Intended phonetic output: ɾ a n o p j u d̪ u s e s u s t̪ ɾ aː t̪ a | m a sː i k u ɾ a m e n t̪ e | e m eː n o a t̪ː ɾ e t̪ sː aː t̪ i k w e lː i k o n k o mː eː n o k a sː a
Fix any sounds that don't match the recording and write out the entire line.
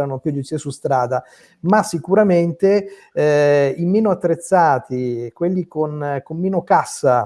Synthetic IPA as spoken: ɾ a n o p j u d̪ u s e s u s t̪ ɾ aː d̪ a | m a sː i k u ɾ a m e n t̪ e | i m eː n o a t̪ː ɾ e t̪ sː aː t̪ i k w e lː i k o n k o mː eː n o k a sː a